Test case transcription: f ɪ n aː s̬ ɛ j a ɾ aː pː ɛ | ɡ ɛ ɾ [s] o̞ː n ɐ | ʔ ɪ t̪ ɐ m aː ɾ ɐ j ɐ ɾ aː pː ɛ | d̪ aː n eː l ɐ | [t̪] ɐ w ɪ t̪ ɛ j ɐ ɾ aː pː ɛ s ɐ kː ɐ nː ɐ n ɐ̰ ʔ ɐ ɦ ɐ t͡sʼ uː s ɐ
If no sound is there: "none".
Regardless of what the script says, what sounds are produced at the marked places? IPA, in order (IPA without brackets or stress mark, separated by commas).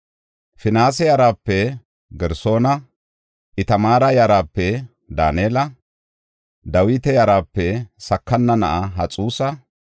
s, d̪